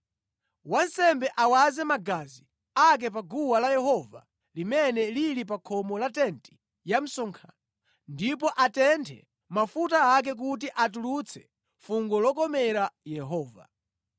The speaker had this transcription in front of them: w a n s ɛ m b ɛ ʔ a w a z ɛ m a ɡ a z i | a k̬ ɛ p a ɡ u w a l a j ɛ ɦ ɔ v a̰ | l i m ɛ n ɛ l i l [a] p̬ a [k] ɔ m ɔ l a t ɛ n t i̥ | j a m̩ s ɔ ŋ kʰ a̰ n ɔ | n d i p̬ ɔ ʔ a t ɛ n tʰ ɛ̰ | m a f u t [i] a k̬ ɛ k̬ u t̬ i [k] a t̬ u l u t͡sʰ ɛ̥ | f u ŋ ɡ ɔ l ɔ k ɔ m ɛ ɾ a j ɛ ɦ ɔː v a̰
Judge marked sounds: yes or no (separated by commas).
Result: no, no, no, no